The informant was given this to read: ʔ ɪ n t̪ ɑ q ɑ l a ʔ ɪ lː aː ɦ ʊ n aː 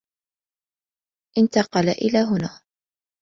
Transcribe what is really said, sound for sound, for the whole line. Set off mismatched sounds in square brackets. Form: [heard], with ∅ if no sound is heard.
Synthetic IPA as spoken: ʔ ɪ n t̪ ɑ q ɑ l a ʔ ɪ [l] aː ɦ ʊ n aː